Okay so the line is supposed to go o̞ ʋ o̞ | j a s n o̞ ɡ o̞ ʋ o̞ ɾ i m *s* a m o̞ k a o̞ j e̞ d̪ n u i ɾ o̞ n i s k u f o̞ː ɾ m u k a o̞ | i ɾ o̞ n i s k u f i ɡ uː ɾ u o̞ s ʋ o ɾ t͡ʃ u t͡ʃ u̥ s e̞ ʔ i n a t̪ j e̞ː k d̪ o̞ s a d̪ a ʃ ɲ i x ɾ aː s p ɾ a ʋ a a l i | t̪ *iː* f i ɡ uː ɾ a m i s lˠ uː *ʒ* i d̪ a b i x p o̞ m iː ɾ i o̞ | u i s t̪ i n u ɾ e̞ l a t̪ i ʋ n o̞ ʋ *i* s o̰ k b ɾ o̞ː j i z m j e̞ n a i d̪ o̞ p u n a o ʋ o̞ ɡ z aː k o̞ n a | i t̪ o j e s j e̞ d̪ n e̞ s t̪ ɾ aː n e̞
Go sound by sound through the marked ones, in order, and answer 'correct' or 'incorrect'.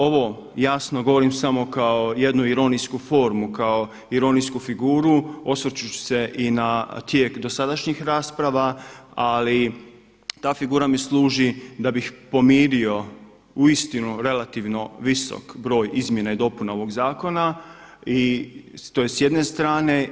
correct, incorrect: aː, correct, correct

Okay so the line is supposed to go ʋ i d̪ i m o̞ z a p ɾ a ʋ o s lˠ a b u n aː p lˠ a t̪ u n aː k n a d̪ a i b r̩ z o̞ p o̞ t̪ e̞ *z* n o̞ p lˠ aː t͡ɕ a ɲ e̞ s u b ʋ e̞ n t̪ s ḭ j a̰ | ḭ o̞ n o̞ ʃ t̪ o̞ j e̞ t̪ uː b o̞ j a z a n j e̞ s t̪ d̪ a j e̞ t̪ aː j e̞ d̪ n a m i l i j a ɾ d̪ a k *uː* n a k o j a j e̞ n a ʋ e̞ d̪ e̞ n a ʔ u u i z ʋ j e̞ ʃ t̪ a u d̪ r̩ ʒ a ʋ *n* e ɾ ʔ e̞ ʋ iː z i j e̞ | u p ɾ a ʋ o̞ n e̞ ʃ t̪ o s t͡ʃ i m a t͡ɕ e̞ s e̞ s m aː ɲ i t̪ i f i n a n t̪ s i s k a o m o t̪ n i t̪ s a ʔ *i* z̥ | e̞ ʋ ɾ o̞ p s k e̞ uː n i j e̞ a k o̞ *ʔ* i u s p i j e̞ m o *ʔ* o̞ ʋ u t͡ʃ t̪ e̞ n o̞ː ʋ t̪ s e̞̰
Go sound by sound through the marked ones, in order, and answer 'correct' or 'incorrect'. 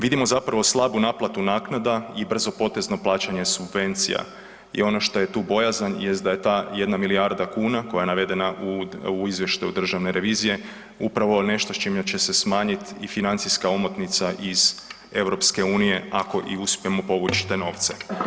correct, correct, correct, correct, correct, incorrect: p

